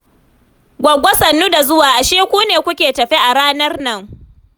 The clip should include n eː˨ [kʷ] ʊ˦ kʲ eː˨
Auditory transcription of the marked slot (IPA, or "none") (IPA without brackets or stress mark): kʷ